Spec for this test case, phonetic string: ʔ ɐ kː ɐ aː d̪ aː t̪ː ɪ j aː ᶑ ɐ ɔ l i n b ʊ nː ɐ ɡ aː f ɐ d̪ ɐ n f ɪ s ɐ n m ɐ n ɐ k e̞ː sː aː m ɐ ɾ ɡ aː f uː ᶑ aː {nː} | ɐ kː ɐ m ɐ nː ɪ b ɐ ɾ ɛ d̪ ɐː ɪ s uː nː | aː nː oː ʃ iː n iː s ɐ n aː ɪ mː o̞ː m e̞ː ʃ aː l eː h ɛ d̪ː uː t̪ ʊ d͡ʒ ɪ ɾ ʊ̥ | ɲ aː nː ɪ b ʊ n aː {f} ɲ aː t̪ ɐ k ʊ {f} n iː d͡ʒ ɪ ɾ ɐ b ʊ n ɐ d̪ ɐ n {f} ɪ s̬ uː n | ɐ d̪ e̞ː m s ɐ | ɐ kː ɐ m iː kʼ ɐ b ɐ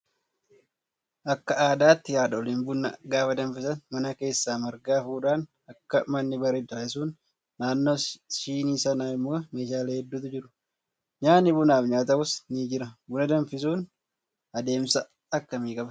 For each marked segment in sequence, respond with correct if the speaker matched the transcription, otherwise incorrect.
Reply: incorrect, correct, incorrect, correct

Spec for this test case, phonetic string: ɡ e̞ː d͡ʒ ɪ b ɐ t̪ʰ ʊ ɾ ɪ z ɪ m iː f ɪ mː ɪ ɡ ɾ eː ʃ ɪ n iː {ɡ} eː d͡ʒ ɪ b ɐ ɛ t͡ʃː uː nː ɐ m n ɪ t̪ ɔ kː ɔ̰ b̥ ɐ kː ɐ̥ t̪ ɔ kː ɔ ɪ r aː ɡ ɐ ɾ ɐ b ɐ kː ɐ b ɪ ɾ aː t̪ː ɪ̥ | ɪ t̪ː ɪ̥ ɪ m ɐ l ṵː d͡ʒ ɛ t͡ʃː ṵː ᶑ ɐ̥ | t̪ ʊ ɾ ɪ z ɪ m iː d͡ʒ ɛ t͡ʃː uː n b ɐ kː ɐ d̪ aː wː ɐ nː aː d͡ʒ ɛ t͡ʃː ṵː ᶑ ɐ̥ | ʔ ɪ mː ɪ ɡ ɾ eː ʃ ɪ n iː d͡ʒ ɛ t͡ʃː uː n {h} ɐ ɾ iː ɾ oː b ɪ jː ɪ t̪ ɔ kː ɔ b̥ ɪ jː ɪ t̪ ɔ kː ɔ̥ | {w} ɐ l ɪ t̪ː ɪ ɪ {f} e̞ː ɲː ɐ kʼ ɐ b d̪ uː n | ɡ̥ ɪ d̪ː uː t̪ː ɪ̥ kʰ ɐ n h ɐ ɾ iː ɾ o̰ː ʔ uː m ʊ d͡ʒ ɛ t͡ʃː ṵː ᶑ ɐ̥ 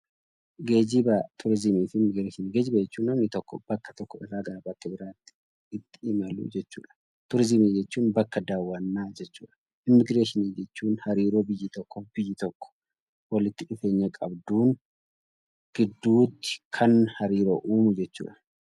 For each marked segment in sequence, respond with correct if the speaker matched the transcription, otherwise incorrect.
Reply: correct, correct, correct, correct

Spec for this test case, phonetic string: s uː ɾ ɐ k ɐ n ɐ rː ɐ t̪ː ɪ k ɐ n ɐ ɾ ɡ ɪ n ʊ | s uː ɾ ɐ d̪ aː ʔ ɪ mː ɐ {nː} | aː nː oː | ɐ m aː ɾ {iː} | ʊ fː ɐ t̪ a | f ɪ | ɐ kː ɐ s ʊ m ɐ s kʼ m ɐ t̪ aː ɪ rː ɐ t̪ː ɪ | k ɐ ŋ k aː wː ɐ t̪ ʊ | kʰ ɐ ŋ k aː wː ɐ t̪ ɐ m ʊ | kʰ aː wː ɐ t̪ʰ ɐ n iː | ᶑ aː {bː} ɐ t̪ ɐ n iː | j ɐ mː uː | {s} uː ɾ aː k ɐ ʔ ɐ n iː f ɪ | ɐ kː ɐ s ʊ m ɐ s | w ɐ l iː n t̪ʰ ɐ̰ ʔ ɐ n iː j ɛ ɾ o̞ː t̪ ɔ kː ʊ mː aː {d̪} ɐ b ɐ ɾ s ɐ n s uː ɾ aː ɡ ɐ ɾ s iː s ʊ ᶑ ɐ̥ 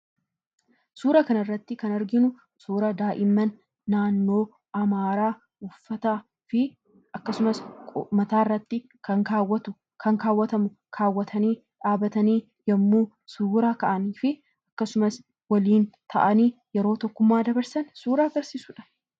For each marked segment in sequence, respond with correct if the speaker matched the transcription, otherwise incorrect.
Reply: correct, incorrect, incorrect, correct, correct

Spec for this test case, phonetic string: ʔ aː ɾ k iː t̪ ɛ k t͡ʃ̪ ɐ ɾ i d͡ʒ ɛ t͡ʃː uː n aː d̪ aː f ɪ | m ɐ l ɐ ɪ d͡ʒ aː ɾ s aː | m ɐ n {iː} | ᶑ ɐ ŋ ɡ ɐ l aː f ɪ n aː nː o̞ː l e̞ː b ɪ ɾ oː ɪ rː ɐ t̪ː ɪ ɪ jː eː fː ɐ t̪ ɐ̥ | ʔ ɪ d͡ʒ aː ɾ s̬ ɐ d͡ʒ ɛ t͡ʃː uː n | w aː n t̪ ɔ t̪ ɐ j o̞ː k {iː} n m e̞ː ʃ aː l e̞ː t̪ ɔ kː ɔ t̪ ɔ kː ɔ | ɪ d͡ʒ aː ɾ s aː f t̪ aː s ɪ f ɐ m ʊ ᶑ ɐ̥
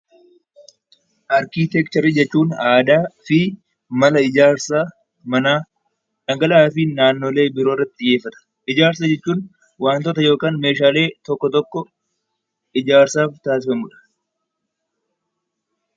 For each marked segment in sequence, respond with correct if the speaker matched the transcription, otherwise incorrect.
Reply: incorrect, incorrect

